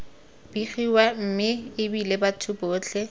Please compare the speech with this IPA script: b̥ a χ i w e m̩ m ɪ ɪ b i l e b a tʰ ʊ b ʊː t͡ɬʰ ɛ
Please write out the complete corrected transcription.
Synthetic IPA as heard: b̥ i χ i w a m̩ m ɪ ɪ b i l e b a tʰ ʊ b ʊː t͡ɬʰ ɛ